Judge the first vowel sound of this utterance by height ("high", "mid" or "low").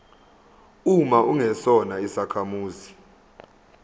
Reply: high